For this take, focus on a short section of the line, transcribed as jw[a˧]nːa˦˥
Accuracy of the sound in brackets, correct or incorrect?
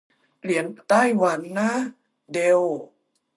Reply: incorrect